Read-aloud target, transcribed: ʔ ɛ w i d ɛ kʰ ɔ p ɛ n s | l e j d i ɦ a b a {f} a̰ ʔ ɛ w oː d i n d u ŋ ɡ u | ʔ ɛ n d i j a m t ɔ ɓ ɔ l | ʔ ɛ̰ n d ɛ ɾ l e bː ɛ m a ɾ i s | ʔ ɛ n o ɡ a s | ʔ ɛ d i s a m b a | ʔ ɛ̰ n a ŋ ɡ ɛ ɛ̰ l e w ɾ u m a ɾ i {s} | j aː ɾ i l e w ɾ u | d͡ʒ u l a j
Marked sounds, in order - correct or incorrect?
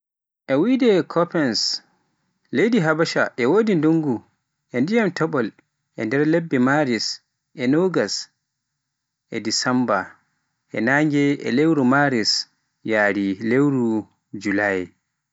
incorrect, correct

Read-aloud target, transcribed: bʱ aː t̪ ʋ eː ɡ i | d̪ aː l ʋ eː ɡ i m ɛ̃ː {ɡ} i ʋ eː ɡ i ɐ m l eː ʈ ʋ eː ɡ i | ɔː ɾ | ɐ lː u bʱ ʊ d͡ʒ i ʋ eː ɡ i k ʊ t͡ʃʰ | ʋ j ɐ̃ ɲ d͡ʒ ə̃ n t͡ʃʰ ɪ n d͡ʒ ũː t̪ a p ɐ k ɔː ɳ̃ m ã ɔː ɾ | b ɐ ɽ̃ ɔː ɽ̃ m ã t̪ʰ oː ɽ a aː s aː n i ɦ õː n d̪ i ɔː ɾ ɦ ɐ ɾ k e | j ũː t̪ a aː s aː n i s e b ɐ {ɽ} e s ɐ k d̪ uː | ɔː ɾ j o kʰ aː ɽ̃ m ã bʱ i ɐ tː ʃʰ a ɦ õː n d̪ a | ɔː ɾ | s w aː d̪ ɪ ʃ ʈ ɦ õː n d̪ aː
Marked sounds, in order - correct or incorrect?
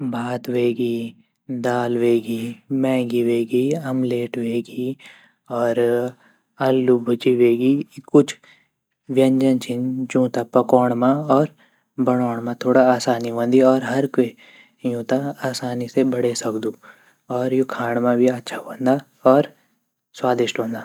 correct, correct

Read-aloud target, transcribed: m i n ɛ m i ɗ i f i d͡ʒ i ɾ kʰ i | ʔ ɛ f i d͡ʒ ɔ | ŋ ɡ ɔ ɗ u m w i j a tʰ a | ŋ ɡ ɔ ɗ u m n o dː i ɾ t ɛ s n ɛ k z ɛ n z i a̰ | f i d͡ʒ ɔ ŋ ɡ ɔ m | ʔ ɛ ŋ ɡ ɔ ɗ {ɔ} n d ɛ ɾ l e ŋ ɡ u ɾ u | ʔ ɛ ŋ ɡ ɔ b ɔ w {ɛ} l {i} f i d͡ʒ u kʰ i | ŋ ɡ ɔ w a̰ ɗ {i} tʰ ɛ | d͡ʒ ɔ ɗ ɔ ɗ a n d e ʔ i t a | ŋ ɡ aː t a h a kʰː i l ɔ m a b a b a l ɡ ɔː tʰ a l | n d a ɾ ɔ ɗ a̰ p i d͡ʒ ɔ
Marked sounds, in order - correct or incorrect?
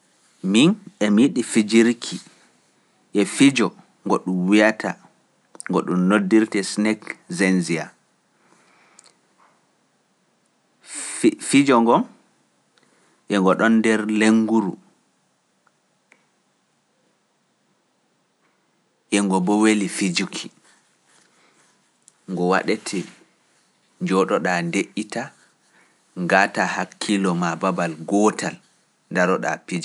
correct, incorrect, correct, incorrect

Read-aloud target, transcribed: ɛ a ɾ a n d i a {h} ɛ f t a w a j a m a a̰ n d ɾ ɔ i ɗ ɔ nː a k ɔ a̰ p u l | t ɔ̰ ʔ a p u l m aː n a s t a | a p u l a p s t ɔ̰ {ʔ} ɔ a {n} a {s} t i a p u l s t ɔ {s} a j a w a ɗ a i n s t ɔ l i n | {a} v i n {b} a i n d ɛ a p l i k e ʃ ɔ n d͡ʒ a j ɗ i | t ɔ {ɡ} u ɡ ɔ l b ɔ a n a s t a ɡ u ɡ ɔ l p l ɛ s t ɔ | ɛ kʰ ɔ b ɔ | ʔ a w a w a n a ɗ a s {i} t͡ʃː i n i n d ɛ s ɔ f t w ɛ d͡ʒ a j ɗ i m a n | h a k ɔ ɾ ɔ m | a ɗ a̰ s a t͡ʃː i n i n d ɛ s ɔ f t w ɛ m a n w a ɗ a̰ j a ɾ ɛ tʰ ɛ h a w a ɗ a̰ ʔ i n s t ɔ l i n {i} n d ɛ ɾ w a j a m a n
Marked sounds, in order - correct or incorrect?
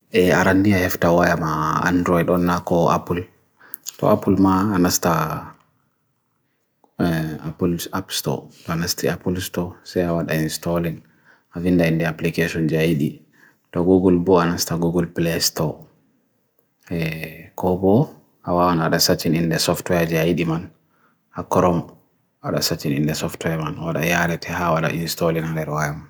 correct, incorrect, correct, correct, correct, correct, incorrect, correct, incorrect, incorrect

